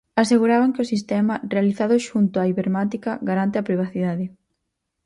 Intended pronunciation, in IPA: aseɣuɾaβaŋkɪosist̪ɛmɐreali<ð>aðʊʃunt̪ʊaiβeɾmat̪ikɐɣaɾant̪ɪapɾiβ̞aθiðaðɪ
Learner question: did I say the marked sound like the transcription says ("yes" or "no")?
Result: no